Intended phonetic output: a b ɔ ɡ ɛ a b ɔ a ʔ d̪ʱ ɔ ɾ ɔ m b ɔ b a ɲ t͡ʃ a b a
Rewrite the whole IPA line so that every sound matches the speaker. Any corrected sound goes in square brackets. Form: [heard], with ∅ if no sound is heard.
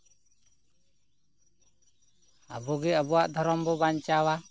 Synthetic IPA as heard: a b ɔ ɡ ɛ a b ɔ a ʔ d̪ʱ ɔ ɾ ɔ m b ɔ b a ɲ t͡ʃ a [w] a